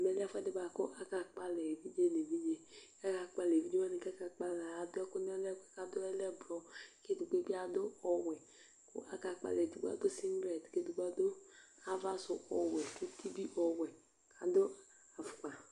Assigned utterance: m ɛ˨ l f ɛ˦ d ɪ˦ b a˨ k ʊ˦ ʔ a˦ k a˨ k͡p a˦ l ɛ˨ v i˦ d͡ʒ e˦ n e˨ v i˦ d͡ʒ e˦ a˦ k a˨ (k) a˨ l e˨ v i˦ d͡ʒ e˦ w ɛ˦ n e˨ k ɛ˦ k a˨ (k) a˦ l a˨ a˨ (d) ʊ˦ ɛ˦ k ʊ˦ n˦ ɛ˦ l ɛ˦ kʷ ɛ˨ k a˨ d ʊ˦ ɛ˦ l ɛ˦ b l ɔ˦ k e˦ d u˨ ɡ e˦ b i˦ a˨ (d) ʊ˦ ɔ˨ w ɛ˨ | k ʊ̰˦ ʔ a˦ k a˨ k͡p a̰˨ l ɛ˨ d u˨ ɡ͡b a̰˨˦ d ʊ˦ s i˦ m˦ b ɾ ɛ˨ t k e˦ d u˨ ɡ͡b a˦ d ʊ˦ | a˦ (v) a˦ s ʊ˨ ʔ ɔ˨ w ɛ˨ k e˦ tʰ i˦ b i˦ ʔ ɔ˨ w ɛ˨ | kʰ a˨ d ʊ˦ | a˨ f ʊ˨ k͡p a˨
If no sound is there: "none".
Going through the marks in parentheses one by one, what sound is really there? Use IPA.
k͡p, k͡p, d, d, v

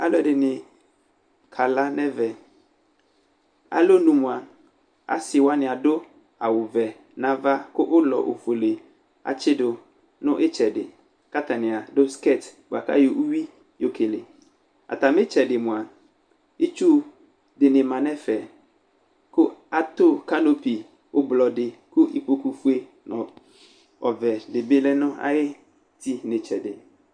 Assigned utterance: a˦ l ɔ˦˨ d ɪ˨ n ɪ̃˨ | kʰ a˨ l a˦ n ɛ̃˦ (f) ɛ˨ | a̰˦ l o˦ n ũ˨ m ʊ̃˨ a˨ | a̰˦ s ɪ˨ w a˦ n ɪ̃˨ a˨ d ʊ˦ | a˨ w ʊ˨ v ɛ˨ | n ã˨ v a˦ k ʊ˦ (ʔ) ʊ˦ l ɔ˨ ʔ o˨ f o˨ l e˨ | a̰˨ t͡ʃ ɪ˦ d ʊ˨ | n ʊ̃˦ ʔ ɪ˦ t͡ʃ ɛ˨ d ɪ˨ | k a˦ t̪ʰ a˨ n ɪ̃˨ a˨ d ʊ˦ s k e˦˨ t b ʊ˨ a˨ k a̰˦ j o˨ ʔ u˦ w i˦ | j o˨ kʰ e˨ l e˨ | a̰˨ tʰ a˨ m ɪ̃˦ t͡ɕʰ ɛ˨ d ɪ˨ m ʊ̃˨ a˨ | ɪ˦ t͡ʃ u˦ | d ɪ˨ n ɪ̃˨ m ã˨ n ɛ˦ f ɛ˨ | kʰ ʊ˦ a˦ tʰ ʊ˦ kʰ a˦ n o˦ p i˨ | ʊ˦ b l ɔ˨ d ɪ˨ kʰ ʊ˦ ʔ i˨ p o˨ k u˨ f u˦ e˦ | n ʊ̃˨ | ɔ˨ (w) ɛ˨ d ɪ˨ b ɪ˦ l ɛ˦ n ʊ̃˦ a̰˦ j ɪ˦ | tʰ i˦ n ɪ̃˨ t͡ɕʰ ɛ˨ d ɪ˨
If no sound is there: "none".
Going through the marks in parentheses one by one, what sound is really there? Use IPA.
v, ʔ, v

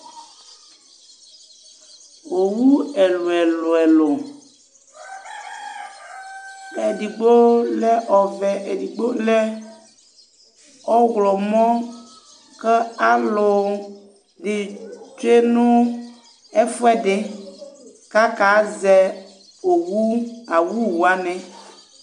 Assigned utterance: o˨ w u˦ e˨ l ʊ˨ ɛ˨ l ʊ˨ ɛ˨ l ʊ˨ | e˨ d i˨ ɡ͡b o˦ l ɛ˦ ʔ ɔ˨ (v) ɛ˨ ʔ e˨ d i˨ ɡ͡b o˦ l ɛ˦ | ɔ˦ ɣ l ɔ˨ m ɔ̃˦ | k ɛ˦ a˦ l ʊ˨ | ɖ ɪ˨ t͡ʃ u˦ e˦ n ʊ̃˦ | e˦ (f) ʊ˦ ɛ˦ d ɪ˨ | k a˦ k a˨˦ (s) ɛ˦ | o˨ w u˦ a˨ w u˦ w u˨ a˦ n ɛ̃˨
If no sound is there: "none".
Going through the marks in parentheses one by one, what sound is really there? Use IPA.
v, f, z

